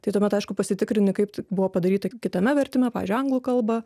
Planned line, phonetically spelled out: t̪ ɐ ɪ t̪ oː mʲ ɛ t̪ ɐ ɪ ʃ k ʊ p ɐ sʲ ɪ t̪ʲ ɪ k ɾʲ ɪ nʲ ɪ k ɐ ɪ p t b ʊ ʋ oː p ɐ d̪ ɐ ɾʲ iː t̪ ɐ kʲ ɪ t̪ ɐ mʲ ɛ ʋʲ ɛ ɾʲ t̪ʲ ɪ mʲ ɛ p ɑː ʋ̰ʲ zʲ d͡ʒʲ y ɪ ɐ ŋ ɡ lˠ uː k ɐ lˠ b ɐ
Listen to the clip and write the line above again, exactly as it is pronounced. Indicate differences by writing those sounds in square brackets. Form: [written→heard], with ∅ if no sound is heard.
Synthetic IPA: t̪ ɐ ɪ t̪ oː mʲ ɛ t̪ ɐ ɪ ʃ k ʊ p ɐ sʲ ɪ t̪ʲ ɪ k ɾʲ ɪ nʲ ɪ k ɐ ɪ p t b ʊ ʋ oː p ɐ d̪ ɐ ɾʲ iː t̪ ɐ kʲ ɪ t̪ ɐ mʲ ɛ ʋʲ ɛ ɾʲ t̪ʲ ɪ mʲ ɛ p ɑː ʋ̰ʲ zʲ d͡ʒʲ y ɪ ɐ ŋ ɡ lˠ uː k ɐ lˠ b ɐ